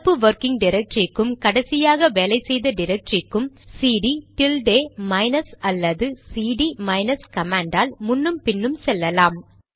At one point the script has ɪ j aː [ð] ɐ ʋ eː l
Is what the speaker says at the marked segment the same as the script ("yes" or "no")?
no